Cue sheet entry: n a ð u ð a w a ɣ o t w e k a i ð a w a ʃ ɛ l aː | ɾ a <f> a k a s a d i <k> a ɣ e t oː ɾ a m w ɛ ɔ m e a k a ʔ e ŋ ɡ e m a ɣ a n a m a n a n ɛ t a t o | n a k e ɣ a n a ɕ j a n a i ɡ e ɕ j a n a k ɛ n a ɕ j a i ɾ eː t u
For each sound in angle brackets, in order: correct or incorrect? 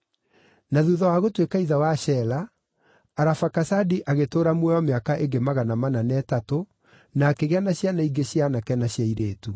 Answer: correct, incorrect: ʔ

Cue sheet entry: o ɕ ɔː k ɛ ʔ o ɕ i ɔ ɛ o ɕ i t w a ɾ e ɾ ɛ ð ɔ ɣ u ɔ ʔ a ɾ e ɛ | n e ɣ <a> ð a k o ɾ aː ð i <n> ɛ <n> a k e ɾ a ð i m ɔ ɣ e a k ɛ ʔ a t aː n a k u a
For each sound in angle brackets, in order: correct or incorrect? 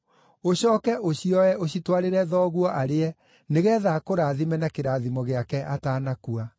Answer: incorrect: ɛ, incorrect: m, correct

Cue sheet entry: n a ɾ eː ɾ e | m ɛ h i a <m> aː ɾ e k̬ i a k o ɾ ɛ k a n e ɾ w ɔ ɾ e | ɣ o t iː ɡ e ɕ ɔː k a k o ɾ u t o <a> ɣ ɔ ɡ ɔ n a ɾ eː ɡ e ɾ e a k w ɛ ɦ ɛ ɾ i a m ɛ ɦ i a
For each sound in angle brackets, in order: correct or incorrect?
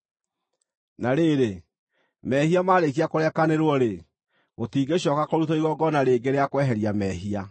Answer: correct, incorrect: i

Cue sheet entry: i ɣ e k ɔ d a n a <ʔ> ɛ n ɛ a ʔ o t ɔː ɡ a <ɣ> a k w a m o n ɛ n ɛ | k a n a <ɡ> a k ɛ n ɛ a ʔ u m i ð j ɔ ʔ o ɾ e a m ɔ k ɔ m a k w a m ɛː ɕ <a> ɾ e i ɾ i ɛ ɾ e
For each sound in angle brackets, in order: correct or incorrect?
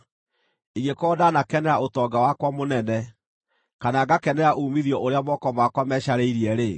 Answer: incorrect: k, incorrect: w, correct, correct

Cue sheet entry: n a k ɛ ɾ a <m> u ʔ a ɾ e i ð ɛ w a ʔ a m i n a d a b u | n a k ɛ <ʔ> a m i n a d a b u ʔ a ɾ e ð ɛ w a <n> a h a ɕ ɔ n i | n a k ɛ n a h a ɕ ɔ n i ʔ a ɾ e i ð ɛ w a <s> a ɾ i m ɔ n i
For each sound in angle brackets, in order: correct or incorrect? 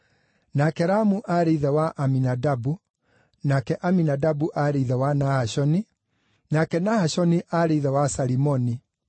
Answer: correct, correct, correct, correct

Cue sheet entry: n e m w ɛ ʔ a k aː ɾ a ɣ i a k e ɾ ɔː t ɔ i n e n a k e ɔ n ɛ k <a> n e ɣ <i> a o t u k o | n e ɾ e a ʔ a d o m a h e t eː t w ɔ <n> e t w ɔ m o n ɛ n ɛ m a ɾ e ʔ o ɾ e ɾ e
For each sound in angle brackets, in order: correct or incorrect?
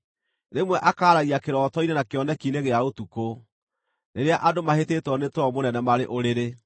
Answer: incorrect: i, incorrect: e, correct

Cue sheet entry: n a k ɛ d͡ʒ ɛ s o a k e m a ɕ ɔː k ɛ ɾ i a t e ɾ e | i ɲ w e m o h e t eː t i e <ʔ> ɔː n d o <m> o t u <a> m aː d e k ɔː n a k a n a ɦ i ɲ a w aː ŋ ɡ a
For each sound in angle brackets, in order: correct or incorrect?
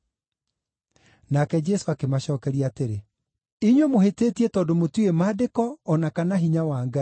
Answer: incorrect: t, correct, incorrect: e

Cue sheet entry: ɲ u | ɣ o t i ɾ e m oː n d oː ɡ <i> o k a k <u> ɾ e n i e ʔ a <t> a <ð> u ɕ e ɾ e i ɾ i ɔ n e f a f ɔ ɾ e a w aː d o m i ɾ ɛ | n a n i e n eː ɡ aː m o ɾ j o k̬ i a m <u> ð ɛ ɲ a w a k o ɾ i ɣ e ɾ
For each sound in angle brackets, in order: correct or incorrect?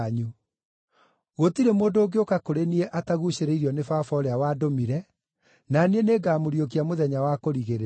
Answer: incorrect: e, incorrect: o, correct, incorrect: ɣ, incorrect: o

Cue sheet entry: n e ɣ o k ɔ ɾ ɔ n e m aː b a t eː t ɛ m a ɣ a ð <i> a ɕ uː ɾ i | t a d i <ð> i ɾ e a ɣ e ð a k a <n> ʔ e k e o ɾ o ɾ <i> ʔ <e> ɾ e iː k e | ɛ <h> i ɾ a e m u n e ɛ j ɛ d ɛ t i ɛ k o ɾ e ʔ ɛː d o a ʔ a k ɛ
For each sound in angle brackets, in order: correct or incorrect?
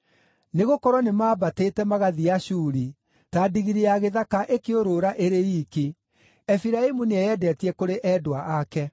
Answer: correct, incorrect: ɣ, incorrect: none, incorrect: a, correct, incorrect: f

